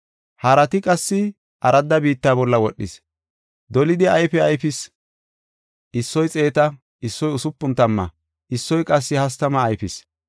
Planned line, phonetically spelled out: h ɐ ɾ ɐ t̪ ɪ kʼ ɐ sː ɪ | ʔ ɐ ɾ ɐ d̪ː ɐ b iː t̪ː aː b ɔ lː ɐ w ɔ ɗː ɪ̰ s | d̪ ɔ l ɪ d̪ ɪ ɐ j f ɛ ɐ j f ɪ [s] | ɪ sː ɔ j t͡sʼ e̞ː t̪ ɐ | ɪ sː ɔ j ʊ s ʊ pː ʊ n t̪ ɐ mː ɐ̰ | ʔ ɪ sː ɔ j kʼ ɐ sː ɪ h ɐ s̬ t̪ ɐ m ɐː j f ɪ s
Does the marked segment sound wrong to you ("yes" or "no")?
no